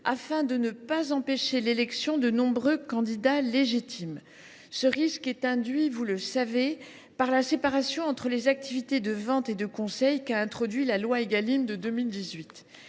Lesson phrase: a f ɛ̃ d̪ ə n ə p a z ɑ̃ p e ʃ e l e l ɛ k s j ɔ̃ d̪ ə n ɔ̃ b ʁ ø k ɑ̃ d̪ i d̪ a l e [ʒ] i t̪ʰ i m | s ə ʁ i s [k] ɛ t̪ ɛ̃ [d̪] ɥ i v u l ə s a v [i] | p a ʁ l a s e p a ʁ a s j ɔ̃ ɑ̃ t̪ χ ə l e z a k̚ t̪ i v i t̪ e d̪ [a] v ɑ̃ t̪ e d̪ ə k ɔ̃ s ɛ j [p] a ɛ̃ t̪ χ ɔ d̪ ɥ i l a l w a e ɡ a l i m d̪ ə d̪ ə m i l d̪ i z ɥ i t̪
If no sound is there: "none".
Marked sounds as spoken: ʒ, k, d̪, e, ə, k

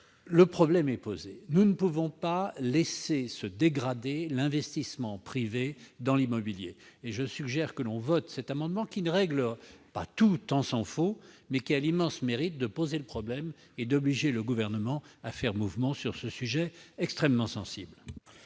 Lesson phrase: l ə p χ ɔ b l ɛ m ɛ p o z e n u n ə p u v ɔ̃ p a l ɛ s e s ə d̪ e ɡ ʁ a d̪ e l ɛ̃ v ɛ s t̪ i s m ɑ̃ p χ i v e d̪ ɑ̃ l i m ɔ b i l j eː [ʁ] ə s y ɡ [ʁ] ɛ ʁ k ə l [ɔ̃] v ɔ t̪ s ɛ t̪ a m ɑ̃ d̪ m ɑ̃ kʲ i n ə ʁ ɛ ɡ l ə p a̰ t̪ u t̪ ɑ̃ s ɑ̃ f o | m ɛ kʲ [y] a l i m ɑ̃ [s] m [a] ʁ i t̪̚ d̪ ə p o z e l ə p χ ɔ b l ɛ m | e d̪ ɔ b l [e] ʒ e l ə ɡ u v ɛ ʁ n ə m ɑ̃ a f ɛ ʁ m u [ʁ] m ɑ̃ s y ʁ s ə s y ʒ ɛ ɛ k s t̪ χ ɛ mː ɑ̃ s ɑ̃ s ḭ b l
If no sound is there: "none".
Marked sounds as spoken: ʒ, ʒ, ɔ̃, i, s, e, i, v

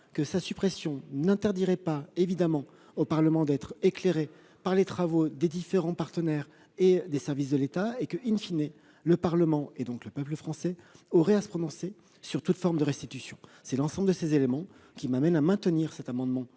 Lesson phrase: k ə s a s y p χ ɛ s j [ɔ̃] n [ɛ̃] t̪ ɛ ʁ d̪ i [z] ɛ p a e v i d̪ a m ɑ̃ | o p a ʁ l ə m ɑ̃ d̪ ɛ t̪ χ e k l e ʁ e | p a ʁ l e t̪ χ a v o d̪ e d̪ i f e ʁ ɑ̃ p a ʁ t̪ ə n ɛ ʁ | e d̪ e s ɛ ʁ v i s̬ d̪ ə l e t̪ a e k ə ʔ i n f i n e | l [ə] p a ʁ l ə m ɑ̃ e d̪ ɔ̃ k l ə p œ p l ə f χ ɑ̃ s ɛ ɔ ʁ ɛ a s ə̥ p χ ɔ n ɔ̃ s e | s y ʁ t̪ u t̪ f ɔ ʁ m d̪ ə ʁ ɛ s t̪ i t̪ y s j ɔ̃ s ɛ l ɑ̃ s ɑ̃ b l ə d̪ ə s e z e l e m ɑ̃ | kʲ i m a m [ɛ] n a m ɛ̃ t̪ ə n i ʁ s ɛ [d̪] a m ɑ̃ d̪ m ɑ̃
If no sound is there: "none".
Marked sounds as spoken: ɔ̃, ɛ̃, ʁ, ə, ɛ, t̪

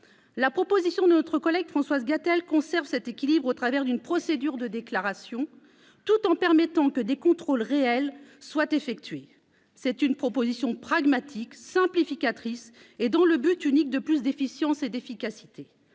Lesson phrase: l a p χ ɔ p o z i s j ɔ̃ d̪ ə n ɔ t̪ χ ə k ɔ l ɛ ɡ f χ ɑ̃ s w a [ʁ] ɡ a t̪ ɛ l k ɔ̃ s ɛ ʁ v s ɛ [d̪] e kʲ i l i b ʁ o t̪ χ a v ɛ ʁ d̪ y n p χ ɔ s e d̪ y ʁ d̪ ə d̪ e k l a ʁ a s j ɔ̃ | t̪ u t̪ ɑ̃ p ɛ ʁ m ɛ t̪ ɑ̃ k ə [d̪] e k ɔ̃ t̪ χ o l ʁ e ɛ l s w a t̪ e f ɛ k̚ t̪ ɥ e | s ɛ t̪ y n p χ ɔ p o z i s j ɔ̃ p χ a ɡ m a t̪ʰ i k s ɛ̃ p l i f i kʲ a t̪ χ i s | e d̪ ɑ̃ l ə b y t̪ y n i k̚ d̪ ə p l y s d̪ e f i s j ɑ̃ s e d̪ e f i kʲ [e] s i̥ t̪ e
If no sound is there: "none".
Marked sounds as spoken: z, t̪, d̪, a

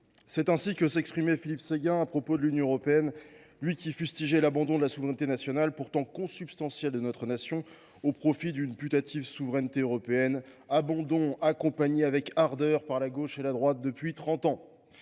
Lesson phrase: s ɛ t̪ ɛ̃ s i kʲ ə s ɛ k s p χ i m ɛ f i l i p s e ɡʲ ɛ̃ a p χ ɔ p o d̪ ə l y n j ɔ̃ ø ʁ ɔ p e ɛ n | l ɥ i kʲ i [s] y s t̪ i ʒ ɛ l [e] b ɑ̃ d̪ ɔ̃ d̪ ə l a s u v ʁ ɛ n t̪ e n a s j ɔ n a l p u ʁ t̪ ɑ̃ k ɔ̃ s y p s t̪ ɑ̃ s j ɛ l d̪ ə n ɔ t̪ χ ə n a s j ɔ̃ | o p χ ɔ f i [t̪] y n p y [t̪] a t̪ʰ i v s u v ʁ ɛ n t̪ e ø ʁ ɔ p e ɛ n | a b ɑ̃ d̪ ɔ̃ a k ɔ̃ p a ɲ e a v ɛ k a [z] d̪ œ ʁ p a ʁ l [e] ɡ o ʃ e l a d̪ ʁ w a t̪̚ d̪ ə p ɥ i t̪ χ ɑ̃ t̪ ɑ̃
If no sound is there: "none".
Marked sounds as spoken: f, a, d̪, t̪, ʁ, a

